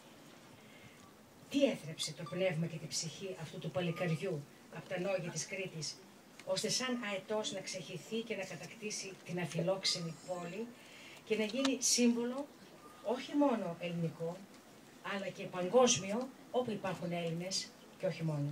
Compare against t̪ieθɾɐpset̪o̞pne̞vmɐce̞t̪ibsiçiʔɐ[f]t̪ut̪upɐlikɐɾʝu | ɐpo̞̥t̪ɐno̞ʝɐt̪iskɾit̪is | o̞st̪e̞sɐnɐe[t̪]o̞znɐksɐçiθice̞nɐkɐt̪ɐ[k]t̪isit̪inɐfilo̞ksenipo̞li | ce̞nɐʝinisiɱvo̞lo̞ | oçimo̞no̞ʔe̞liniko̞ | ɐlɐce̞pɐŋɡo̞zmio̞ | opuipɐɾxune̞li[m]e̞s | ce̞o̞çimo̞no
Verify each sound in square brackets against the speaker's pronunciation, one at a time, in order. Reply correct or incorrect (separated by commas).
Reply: correct, correct, correct, incorrect